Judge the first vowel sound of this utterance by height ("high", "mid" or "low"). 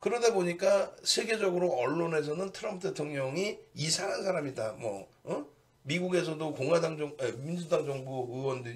high